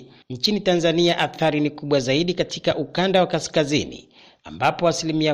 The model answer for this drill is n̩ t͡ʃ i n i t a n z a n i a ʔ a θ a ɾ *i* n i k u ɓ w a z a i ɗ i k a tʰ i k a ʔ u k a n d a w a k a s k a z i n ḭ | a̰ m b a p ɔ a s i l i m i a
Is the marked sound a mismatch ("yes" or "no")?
no